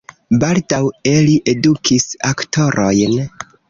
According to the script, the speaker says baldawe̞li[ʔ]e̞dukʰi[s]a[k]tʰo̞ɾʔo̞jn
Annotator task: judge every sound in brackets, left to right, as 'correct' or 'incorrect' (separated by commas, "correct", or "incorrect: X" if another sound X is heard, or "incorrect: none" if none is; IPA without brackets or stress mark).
correct, correct, correct